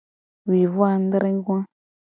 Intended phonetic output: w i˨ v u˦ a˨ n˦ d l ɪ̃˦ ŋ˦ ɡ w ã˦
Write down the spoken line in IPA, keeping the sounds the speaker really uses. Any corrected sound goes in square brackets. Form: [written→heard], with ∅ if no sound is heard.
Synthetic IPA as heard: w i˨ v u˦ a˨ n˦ d [l→ɾ] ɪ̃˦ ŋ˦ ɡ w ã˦